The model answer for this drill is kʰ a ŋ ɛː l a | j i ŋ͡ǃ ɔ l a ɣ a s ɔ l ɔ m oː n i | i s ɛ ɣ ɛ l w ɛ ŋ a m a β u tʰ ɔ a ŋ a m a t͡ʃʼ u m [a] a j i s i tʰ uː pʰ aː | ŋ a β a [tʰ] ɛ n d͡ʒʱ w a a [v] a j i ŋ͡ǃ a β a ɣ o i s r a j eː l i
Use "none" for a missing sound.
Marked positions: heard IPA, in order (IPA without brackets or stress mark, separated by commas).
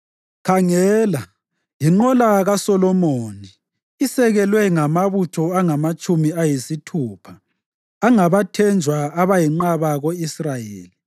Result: i, tʰ, β